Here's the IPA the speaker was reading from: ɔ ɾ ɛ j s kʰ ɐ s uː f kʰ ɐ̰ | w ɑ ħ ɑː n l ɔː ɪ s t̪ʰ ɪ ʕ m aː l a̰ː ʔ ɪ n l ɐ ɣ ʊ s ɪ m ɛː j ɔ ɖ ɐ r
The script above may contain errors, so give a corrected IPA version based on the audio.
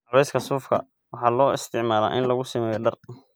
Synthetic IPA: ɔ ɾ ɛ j s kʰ ɐ s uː f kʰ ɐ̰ | w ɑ ħ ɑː l ɔː ɪ s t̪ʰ ɪ ʕ m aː l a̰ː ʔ ɪ n l ɐ ɣ ʊ s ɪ m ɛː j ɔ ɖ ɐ r

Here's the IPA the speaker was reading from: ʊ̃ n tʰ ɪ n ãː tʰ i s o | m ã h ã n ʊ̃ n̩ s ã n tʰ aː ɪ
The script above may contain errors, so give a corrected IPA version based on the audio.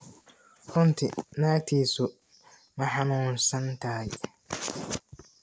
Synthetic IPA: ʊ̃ n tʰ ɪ n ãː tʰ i s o | m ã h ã n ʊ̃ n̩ s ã n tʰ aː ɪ

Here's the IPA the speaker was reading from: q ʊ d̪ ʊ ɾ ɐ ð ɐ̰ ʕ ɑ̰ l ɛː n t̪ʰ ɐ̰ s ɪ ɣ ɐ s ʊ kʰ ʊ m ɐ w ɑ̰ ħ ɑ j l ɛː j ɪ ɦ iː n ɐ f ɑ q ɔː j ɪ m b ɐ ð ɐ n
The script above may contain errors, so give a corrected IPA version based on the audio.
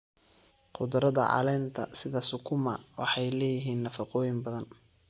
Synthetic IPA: q ʊ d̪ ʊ ɾ ɐ ð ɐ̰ ʕ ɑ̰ l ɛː n t̪ʰ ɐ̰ s ɪ ð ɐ s ʊ kʰ ʊ m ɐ w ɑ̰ ħ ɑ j l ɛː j ɪ ɦ iː nː ɐ f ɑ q ɔː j ɪ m b ɐ ð ɐ n

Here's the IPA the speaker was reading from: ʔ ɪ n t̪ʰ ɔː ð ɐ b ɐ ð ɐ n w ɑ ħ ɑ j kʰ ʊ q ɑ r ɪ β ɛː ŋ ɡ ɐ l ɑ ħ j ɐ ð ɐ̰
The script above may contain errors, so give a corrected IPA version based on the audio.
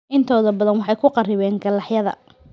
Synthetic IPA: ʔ ɪ n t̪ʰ ɔː ð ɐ b ɐ ð ɐ n w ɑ ħ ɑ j kʰ ʊ q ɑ r ɪ β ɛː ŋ ɡ ɐ l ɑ ħ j ɐ ð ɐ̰

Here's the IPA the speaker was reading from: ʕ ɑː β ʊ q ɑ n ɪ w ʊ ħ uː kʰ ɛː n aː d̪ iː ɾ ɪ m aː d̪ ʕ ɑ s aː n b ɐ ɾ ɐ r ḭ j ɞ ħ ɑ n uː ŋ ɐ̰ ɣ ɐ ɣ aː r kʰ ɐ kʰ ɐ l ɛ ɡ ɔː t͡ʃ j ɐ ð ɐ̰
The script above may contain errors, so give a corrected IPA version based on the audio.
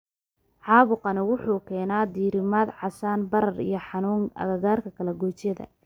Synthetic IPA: ʕ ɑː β ʊ q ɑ n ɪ w ʊ ħ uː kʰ ɛː n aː d̪ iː ɾ ɪ m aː d̪ ʕ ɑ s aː n b ɐ ɾ ɐ r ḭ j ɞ ħ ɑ n uː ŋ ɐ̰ ɣ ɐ ɣ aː r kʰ ɐ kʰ ɐ l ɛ ɡ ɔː t͡ʃ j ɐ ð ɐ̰

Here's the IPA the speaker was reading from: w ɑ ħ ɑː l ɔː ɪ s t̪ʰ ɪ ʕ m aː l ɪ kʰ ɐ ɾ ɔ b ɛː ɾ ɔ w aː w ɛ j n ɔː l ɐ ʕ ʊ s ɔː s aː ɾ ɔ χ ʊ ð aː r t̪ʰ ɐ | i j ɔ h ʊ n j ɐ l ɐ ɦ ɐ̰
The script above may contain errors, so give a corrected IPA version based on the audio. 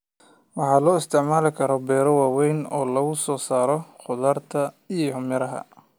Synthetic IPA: w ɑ ħ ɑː l ɔː ɪ s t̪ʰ ɪ ʕ m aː l ɪ kʰ ɐ ɾ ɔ b ɛː ɾ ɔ w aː w ɛ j n ɔː l ɐ ɣ ʊ s ɔː s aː ɾ ɔ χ ʊ ð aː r t̪ʰ ɐ | i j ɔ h ʊ m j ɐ ɾ ɐ ɦ ɐ̰

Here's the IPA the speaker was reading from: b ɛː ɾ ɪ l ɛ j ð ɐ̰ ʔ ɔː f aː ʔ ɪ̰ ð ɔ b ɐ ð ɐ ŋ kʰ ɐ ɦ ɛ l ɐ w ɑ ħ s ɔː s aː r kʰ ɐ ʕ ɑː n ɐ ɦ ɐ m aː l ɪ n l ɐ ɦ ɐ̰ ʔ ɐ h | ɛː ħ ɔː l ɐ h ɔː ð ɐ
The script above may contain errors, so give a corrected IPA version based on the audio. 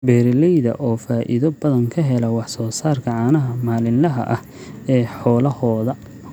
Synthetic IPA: b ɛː ɾ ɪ l ɛ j ð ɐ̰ ʔ ɔː f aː ʔ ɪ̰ ð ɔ b ɐ ð ɐ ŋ kʰ ɐ ɦ ɛ l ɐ w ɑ ħ s ɔː s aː r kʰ ɐ ʕ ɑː n ɐ ɦ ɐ m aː l ɪ n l ɐ ɦ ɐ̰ ʔ ɐ h | ɛː ħ ɔː l ɐ h ɔː ð ɐ

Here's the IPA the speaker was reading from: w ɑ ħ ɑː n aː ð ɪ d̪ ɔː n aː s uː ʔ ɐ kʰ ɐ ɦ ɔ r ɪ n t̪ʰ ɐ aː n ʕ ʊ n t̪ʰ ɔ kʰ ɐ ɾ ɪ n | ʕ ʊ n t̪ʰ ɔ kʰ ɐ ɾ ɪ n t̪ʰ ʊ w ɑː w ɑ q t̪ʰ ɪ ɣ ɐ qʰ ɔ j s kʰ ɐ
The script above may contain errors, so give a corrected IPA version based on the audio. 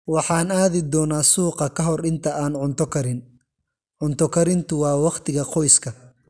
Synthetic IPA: w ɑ ħ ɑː n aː ð ɪ d̪ ɔː n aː s uː q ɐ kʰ ɐ ɦ ɔ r ɪ n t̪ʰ ɐ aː n ʕ ʊ n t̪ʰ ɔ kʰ ɐ ɾ ɪ n | ʕ ʊ n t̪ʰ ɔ kʰ ɐ ɾ ɪ n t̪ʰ ʊ w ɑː w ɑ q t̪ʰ ɪ ɣ ɐ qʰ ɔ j s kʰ ɐ

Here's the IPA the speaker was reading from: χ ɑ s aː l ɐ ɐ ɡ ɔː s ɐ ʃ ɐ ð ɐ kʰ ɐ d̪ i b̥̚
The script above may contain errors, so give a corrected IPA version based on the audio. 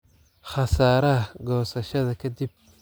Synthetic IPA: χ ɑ s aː ɾ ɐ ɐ ɡ ɔː s ɐ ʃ ɐ ð ɐ kʰ ɐ d̪ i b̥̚

